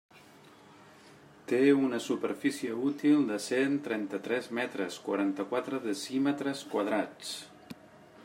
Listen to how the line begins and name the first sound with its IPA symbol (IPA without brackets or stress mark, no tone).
t̪